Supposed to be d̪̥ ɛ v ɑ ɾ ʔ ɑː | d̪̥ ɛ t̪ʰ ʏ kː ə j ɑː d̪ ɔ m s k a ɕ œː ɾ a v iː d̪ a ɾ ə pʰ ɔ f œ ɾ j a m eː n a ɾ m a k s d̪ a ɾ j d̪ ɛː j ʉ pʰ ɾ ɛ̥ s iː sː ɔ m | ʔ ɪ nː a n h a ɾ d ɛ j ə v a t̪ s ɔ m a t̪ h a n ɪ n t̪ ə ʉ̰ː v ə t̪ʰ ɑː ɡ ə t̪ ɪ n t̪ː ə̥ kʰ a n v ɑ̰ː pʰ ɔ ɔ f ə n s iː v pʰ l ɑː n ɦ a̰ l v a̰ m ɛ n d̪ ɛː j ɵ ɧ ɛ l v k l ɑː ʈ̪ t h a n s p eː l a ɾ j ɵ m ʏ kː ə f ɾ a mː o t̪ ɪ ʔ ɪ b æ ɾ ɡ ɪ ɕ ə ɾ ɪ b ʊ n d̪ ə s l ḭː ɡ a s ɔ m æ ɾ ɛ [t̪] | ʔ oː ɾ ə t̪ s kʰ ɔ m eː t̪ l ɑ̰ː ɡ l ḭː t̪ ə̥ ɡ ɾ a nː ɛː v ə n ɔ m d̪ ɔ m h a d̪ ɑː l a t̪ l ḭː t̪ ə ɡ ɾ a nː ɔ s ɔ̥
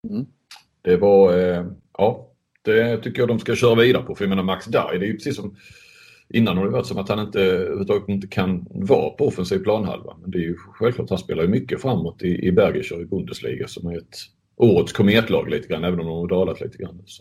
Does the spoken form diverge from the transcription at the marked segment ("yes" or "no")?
no